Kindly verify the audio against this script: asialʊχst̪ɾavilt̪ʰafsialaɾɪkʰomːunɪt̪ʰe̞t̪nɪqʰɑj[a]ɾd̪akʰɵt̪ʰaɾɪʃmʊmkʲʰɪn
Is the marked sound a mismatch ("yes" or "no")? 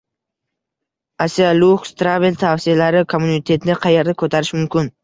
yes